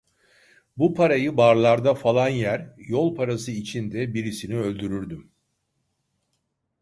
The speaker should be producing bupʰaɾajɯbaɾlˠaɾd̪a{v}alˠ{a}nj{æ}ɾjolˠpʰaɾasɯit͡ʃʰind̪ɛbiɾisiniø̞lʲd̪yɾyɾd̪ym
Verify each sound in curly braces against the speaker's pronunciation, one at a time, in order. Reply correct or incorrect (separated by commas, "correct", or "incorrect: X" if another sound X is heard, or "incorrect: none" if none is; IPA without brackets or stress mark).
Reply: incorrect: f, correct, correct